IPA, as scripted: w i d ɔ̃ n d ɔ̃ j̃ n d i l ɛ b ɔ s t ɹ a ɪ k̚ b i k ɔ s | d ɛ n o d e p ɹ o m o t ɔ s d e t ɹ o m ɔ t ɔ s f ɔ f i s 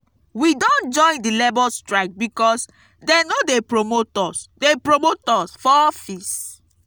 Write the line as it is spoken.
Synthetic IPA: w i d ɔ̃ n d͡ʒ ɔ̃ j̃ n d i l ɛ b ɔ s t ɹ a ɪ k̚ b i k ɔ s | d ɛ n o d e p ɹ o m o t ɔ s d e p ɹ o m o t ɔ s f ɔ f i s